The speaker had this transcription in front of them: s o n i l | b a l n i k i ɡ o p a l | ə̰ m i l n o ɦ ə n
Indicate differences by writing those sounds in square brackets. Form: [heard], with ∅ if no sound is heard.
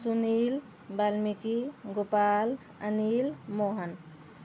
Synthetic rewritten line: s [u] n i l | b a l [m] i k i ɡ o p a l | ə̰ [n] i l [m] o ɦ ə n